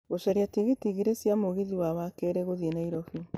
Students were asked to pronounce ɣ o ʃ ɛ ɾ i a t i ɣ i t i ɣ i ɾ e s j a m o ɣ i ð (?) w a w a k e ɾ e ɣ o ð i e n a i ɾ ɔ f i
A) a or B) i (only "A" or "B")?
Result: B